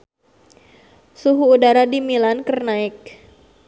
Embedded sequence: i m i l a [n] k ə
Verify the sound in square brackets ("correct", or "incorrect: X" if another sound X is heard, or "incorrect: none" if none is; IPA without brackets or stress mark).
correct